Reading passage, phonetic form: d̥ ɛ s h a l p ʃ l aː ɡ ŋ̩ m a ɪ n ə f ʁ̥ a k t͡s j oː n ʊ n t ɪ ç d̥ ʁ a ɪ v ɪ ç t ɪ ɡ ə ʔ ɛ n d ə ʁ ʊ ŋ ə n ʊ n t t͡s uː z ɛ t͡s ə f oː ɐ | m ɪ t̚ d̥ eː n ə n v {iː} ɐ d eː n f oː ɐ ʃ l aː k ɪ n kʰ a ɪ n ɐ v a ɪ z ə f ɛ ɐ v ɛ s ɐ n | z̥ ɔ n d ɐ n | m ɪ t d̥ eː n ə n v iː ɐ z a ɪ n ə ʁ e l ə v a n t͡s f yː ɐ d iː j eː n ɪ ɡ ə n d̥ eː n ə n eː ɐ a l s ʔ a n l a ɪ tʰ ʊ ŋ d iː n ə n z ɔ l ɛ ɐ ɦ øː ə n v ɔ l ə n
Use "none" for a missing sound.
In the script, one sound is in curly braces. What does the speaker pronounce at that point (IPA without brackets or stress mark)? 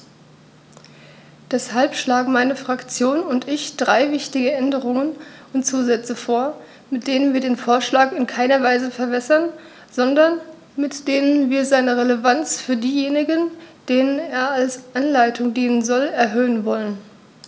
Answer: iː